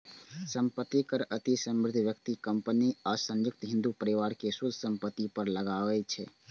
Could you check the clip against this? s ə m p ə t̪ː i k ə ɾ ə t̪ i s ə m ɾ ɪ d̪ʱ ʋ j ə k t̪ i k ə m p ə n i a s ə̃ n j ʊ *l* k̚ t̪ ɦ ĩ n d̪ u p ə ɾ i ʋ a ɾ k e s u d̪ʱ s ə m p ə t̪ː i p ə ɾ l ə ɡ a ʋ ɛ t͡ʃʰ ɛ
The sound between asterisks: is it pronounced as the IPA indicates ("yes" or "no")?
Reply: no